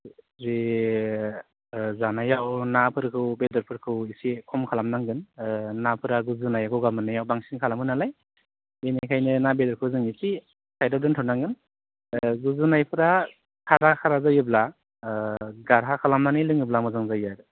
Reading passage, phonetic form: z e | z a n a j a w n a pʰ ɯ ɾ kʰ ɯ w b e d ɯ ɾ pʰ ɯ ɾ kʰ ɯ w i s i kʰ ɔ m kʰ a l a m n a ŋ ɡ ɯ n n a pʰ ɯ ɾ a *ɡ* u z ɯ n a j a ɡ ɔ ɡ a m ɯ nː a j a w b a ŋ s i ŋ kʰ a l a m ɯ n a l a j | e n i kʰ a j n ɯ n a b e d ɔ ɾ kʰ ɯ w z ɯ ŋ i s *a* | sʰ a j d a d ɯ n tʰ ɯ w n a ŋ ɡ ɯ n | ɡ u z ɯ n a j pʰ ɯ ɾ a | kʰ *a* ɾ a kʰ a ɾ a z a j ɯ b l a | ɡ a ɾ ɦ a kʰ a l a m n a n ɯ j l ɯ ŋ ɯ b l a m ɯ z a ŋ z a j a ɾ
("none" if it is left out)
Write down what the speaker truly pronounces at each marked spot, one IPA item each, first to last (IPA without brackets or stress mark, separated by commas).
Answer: ɡ, i, a